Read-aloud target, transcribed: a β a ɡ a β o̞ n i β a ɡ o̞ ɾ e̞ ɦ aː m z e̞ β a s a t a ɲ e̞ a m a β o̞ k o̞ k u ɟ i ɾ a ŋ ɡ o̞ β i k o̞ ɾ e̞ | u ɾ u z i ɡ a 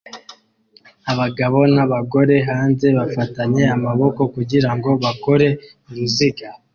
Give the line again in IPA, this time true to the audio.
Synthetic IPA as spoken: a β a ɡ a β o̞ n a β a ɡ o̞ ɾ e̞ ɦ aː n z e̞ β a f a t a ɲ e̞ a m a β o̞ k o̞ k u ɟ i ɾ a ŋ ɡ o̞ β a k o̞ ɾ e̞ | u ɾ u z i ɡ a